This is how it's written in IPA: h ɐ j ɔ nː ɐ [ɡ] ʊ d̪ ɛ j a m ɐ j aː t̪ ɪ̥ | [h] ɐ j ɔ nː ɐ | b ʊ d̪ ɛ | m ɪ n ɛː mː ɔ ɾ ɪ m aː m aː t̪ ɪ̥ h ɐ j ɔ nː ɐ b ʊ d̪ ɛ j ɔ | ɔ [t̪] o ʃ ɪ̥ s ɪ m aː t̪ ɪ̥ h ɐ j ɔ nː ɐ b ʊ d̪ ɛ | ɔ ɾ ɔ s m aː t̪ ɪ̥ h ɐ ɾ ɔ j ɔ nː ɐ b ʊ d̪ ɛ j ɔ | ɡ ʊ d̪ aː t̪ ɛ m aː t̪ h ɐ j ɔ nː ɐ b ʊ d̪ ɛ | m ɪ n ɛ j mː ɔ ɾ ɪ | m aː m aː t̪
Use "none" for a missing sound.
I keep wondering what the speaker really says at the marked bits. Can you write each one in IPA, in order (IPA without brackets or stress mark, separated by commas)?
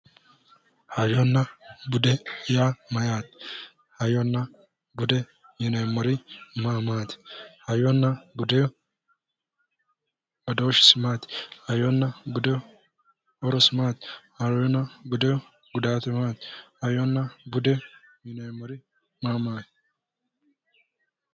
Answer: b, h, d̪